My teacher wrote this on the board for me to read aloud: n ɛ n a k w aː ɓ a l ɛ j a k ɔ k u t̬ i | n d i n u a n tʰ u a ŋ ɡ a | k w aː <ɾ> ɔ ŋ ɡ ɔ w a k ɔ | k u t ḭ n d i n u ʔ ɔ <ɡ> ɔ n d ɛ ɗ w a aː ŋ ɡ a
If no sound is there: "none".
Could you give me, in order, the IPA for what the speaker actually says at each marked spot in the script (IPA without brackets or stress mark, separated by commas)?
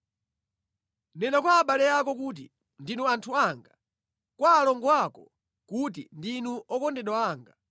l, k